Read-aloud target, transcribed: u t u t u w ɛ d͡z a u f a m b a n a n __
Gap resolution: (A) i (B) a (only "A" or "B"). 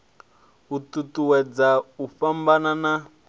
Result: B